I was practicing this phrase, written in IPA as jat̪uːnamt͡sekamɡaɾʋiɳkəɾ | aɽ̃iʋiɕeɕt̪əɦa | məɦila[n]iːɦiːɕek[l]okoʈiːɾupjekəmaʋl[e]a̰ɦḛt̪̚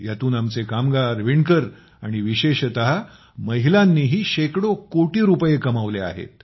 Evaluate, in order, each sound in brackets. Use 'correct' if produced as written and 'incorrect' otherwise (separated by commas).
incorrect, incorrect, correct